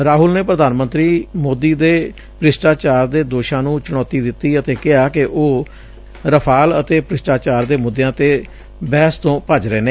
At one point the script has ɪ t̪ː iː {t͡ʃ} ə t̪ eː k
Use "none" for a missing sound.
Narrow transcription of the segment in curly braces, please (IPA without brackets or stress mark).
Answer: none